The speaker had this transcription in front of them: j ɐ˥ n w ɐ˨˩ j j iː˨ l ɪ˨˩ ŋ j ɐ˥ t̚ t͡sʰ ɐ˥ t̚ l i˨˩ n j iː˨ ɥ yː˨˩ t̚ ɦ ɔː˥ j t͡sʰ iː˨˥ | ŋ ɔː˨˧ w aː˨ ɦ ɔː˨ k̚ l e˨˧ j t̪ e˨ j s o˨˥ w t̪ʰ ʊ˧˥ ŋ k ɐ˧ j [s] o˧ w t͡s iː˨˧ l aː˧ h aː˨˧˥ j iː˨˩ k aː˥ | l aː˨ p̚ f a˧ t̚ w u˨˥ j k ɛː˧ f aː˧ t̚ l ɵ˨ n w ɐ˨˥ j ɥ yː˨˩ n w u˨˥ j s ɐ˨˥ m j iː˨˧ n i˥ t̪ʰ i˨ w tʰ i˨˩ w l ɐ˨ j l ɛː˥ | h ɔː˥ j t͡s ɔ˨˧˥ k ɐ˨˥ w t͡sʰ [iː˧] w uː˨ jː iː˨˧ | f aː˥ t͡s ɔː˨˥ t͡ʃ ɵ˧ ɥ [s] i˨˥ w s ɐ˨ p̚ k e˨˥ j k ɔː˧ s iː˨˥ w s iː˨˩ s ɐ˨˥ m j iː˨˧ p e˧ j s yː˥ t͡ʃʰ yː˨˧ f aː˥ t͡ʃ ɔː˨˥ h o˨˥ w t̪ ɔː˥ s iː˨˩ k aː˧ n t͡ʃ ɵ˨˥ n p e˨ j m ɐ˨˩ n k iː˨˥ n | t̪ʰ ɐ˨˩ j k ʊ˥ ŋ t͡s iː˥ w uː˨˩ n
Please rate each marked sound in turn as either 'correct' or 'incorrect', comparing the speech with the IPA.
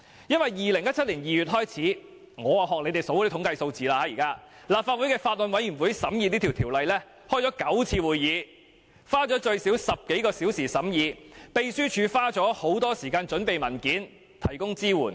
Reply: correct, correct, correct

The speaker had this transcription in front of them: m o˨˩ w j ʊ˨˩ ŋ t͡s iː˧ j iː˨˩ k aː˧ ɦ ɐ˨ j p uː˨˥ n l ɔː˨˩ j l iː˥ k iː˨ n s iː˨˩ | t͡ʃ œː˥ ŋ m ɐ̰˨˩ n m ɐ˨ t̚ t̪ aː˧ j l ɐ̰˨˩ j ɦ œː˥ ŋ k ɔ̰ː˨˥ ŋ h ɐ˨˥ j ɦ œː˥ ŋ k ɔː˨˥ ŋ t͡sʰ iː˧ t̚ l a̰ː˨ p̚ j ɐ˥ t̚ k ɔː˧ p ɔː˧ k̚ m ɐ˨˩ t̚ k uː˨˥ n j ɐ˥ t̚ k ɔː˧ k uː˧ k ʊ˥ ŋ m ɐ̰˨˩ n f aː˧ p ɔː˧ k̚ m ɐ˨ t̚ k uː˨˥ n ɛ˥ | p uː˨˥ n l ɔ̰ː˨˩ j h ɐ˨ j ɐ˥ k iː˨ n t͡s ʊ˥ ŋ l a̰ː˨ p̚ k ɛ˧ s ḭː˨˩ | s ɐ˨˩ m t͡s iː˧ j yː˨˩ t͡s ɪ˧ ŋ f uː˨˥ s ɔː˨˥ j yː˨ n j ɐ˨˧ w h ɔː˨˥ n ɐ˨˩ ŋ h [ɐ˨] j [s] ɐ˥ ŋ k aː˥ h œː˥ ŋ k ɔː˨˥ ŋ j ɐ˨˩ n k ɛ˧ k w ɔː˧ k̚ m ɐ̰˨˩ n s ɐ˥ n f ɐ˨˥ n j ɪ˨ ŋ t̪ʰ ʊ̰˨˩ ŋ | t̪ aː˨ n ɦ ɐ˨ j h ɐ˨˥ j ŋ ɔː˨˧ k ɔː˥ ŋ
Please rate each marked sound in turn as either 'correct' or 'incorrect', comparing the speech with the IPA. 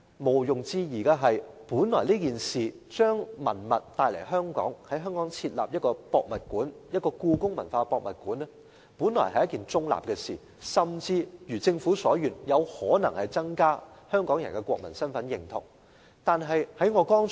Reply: correct, incorrect

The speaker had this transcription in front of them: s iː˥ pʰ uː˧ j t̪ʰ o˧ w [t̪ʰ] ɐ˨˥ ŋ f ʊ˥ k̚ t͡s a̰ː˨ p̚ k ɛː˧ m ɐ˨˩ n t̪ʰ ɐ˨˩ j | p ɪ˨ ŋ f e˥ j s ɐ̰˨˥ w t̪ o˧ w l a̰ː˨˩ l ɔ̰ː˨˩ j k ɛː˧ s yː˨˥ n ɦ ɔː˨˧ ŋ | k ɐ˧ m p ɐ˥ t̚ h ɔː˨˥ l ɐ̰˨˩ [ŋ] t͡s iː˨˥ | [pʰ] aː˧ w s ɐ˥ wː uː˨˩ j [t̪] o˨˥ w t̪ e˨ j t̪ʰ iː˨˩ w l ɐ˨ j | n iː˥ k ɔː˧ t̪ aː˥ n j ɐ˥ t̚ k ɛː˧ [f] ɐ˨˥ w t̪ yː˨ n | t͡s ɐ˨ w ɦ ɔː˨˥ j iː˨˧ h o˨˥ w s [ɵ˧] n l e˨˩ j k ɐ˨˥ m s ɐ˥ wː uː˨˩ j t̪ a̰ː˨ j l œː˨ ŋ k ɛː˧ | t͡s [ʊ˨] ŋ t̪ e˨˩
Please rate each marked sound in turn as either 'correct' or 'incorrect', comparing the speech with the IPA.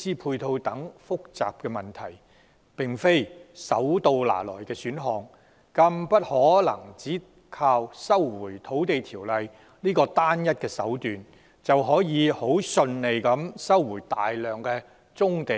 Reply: incorrect, correct, incorrect, incorrect, incorrect, correct, incorrect

